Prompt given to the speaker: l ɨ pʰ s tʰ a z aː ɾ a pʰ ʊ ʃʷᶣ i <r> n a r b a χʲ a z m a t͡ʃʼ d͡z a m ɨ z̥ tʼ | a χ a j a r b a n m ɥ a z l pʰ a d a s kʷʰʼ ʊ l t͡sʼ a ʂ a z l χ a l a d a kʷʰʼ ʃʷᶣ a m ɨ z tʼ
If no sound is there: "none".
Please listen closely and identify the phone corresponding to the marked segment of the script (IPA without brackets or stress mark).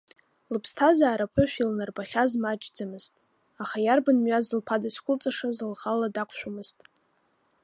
l